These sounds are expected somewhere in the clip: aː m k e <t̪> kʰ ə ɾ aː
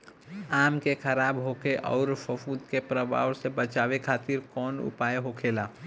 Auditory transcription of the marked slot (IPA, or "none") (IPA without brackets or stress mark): none